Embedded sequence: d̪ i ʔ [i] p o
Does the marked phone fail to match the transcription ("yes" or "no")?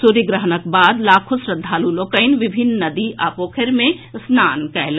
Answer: yes